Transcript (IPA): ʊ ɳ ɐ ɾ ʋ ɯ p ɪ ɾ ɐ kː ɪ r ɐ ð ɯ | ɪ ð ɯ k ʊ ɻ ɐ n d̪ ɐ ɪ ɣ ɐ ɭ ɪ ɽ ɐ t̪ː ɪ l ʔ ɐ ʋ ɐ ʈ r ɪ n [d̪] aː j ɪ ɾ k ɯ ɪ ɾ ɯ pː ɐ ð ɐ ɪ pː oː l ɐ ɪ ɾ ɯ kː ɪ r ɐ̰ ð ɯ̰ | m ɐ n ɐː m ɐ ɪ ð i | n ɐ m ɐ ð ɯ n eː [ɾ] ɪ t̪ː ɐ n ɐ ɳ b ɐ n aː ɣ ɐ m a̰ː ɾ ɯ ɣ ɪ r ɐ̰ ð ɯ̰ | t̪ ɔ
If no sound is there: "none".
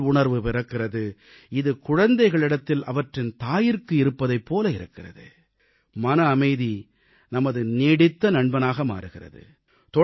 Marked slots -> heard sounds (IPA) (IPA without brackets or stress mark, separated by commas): t̪, ɽ